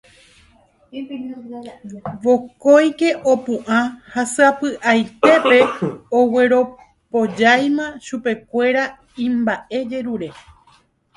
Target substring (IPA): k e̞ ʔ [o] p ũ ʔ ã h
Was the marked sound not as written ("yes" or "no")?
no